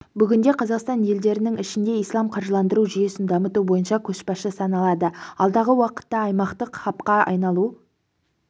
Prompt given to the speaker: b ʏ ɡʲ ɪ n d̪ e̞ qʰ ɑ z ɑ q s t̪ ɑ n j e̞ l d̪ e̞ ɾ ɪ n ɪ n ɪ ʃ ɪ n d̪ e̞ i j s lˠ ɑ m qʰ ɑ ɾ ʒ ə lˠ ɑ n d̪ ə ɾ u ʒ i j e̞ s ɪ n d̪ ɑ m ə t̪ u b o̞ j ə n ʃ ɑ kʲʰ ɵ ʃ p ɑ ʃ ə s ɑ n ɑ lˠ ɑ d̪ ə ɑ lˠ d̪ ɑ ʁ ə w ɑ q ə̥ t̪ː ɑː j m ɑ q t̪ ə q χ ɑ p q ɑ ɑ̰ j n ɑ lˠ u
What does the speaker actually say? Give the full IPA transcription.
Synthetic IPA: b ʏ ɡʲ ɪ n d̪ e̞ qʰ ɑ z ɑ q s t̪ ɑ n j e̞ l d̪ e̞ ɾ ɪ n ɪ ŋ ɪ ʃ ɪ n d̪ e̞ i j s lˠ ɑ m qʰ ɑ ɾ ʒ ə lˠ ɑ n d̪ ə ɾ u ʒ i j e̞ s ɪ n d̪ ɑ m ə t̪ u b o̞ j ə n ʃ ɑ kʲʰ ɵ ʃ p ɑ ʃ ə s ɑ n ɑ lˠ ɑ d̪ ə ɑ lˠ d̪ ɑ ʁ ə w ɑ q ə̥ t̪ː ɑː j m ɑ q t̪ ə q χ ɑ p q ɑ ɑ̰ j n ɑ lˠ u